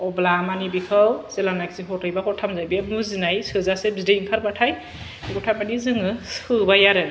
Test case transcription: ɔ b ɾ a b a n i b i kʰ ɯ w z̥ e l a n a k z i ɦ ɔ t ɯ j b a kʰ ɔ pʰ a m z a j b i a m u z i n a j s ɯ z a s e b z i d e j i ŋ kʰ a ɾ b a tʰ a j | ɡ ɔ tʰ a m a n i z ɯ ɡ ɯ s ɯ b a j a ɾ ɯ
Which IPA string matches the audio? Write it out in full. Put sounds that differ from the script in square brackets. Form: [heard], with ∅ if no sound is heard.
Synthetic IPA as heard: ɔ b [l] a [m] a n i b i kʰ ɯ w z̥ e l a n a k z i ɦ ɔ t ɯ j b a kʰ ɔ [tʰ] a m z a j b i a m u z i n a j s ɯ z a s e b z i d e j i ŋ kʰ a ɾ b a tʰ a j | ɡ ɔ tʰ a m a n i z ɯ [ŋ] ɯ s ɯ b a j a ɾ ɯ